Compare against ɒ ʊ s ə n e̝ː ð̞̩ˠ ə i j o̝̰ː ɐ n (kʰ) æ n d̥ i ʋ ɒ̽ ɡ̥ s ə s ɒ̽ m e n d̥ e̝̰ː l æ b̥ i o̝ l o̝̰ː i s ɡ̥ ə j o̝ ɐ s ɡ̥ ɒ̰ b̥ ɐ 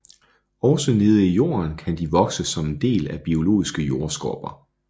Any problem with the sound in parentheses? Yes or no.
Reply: no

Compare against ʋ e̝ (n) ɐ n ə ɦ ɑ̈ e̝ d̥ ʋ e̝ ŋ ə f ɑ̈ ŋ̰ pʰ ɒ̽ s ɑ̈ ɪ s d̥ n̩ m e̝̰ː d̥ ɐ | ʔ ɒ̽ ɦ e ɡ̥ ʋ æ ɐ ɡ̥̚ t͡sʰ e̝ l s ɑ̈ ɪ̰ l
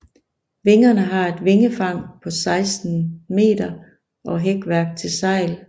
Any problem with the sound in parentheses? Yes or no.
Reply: yes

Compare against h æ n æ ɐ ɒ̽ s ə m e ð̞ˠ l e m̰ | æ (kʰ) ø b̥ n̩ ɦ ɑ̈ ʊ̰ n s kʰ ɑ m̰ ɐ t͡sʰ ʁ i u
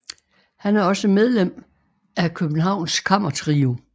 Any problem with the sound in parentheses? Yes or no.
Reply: no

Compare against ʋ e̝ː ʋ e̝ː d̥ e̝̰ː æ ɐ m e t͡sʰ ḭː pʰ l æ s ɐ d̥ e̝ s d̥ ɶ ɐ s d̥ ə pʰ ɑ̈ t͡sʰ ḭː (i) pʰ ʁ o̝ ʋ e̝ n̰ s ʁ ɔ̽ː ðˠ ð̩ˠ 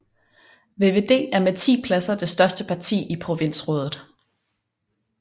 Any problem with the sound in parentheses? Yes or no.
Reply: no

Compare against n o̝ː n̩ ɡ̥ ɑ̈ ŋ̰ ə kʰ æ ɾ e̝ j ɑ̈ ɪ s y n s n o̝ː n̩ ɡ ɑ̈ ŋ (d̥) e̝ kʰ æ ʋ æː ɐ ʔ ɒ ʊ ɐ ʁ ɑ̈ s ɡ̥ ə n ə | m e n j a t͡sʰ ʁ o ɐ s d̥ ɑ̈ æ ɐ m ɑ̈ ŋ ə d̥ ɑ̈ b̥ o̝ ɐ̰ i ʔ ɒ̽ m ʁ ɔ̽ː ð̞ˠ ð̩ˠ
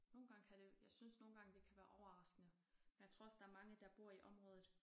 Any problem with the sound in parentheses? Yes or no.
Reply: no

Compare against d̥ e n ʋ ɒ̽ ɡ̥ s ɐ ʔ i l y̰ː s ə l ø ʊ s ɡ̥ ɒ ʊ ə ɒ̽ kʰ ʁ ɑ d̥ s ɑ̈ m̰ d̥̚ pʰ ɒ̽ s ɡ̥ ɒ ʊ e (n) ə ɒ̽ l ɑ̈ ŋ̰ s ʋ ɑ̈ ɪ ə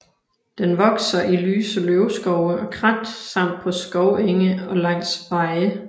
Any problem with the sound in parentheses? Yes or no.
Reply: yes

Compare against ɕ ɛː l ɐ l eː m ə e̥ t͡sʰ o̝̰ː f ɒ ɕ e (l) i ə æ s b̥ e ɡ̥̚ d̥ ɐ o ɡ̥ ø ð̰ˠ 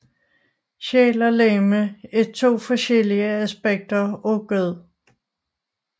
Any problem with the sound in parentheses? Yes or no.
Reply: no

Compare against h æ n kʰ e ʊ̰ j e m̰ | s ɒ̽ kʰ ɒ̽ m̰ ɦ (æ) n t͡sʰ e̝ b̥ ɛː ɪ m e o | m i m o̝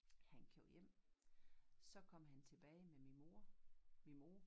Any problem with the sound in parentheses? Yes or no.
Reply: no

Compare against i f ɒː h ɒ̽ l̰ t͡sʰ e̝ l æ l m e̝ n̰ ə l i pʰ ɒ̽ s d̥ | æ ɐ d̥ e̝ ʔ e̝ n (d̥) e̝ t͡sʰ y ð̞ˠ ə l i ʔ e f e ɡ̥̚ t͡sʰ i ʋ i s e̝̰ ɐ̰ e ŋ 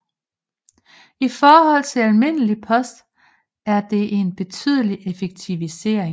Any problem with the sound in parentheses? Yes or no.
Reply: yes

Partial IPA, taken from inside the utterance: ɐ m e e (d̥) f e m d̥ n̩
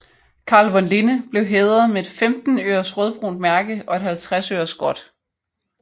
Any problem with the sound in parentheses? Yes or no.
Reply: no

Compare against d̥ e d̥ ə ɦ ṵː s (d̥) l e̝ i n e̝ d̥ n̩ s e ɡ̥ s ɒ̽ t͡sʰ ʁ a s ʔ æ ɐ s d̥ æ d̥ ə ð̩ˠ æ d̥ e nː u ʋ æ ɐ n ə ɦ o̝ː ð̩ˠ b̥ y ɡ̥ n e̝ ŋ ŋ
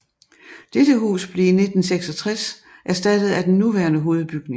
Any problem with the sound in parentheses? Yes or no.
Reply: yes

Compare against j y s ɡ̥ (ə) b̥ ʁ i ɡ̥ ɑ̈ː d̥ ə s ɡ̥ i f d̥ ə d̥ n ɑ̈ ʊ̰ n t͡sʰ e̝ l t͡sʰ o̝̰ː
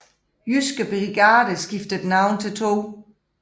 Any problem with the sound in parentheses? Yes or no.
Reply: no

